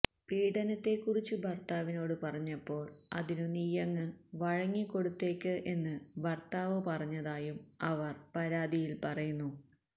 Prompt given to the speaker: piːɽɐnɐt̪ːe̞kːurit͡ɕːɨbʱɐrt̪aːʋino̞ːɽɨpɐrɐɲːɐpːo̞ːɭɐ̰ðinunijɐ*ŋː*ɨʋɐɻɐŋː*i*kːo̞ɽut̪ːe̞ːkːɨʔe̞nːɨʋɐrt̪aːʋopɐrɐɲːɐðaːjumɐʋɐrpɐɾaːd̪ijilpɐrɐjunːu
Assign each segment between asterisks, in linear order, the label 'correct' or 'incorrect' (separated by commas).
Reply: correct, correct